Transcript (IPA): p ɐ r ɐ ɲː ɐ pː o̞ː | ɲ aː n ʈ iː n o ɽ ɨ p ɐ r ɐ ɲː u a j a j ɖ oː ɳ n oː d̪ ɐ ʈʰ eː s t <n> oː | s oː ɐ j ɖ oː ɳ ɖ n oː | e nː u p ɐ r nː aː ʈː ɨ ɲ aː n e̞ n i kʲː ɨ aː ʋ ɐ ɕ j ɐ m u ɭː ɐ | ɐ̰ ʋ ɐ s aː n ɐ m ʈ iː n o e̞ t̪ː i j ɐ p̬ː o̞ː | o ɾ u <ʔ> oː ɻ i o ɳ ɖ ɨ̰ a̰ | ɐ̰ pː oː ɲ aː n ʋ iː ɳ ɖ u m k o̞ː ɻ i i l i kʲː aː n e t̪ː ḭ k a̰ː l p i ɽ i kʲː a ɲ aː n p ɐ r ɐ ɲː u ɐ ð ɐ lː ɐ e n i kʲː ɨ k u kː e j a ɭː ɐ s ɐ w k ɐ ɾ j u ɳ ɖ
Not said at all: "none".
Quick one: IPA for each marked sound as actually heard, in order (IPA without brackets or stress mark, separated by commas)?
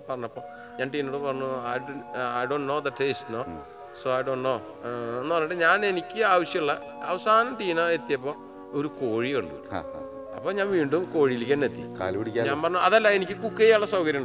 n, k